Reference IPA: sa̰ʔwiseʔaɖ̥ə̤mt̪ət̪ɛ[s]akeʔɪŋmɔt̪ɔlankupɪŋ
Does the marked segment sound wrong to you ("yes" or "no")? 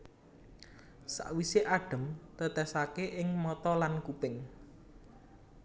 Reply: no